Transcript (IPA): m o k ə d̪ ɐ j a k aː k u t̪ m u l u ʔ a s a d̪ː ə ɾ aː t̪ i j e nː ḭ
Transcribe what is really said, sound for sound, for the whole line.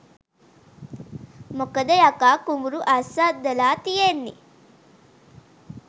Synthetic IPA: m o k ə d̪ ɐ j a k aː k u m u ɾ u ʔ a s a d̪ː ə l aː t̪ i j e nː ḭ